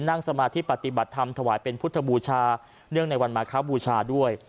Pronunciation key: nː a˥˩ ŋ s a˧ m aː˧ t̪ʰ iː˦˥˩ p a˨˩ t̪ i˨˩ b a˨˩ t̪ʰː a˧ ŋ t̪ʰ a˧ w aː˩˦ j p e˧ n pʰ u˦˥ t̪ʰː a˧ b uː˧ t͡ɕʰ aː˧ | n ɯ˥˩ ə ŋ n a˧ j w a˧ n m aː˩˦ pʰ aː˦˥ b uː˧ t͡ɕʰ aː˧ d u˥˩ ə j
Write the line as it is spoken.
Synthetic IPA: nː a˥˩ ŋ s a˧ m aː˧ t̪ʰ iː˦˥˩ p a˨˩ t̪ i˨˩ b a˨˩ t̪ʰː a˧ m t̪ʰ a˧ w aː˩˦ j p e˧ n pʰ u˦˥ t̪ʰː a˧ b uː˧ t͡ɕʰ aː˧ | n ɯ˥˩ ə ŋ n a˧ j w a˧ n m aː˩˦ kʰ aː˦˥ b uː˧ t͡ɕʰ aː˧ d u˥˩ ə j